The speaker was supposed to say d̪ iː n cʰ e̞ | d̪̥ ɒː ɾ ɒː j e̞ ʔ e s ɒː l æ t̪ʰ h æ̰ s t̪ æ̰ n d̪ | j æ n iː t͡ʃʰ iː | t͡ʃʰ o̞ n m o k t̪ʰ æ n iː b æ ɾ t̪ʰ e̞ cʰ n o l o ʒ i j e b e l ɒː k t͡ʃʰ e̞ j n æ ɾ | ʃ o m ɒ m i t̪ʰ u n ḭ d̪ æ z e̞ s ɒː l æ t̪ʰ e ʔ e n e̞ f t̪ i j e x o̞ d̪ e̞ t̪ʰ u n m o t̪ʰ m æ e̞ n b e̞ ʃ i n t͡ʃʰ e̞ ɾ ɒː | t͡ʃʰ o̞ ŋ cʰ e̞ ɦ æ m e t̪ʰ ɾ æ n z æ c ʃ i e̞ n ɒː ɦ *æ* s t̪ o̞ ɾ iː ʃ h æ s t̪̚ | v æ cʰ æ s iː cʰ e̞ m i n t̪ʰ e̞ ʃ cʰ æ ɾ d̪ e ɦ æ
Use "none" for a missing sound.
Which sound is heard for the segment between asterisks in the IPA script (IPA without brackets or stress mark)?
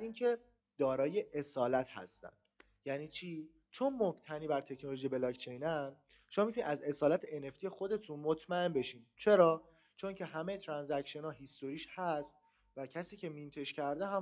i